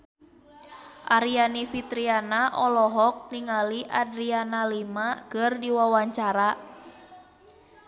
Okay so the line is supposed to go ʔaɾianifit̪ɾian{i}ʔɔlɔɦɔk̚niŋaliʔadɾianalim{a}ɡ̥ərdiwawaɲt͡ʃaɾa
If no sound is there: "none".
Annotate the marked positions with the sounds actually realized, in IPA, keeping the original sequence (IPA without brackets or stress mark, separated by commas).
a, a